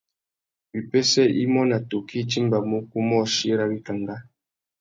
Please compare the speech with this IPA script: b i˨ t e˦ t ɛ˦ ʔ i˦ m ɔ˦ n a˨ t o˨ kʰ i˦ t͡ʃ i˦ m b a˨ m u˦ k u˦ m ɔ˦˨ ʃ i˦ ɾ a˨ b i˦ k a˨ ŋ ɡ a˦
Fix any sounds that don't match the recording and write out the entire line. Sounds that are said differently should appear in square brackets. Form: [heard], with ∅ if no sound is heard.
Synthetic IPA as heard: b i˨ [p] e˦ [s] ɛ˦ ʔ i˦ m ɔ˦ n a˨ t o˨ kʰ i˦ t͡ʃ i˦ m b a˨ m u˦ k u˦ m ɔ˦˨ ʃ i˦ ɾ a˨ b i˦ k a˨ ŋ ɡ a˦